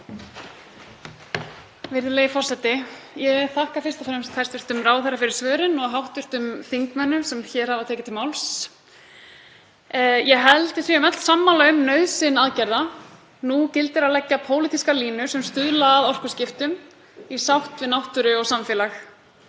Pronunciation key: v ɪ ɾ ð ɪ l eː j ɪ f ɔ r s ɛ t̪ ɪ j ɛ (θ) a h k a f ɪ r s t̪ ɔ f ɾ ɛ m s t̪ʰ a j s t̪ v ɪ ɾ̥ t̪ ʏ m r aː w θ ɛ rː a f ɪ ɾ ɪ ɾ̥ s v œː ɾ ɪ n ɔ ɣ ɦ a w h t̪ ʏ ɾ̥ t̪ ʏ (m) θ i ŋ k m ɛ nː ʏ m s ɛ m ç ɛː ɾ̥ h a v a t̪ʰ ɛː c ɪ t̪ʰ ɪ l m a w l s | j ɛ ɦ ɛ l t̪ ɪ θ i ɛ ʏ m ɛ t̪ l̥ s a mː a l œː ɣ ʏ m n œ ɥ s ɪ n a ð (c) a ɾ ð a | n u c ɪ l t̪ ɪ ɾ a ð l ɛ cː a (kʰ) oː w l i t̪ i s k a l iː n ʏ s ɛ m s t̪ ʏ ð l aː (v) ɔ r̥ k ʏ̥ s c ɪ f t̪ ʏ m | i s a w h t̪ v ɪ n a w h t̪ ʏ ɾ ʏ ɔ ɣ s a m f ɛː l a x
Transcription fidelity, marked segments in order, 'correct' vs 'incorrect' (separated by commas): correct, correct, correct, incorrect, incorrect